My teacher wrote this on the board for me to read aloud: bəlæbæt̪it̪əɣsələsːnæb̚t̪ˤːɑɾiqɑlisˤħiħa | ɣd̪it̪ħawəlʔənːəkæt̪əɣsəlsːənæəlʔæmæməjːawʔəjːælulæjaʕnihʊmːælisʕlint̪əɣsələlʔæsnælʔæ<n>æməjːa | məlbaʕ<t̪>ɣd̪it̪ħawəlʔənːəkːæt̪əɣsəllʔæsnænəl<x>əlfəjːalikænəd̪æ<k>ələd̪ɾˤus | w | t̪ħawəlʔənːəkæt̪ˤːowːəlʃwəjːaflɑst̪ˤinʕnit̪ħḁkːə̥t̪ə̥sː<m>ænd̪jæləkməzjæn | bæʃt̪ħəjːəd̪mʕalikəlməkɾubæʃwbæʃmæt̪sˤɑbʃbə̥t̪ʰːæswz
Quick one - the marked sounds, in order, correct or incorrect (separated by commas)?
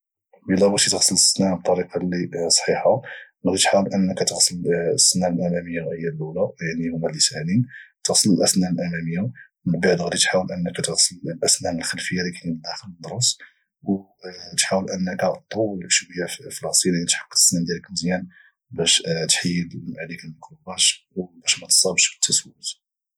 incorrect, incorrect, correct, incorrect, incorrect